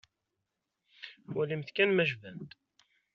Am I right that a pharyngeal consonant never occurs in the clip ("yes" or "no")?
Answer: yes